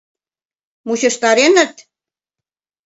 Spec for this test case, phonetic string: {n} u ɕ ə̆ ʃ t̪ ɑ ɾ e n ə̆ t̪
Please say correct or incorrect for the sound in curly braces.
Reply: incorrect